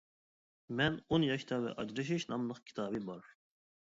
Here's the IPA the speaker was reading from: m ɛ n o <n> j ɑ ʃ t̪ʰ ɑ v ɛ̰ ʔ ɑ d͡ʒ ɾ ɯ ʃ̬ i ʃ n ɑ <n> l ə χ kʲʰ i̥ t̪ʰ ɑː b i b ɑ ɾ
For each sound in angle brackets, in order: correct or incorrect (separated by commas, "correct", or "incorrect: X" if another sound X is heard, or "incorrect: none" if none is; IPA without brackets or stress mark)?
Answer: correct, incorrect: m